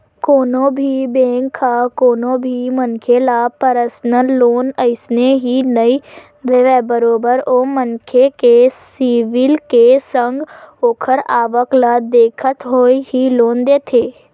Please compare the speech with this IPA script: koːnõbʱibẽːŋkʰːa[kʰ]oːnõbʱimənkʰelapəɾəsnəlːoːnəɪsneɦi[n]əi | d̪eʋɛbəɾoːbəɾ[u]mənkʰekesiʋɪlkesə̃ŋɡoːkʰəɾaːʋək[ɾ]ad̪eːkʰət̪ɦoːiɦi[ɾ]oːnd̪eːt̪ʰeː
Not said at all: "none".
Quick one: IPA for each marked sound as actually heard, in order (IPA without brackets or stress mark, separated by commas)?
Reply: k, n, o, l, l